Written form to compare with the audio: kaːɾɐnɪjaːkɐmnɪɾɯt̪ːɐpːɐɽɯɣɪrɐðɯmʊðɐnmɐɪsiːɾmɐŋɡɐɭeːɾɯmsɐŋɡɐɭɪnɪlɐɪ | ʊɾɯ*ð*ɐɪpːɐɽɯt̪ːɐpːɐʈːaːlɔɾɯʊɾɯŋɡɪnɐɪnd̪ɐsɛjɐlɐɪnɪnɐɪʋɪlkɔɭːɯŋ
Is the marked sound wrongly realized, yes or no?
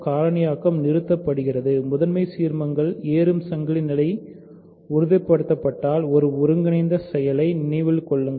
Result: no